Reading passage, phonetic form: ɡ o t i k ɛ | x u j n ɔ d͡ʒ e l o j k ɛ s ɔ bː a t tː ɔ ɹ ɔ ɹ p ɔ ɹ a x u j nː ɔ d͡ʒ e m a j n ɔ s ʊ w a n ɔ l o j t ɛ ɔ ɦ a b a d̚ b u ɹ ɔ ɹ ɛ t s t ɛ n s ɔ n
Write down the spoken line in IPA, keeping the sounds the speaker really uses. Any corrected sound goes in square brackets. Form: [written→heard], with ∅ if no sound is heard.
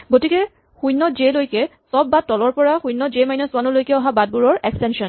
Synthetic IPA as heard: ɡ o t i k ɛ | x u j n ɔ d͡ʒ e l o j k ɛ s ɔ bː a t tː ɔ [ɹ→l] ɔ ɹ p ɔ ɹ a x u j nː ɔ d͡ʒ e m a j n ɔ s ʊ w a n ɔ l o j [t→k] ɛ ɔ ɦ a b a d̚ b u ɹ ɔ ɹ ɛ [t→k] s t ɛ n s ɔ n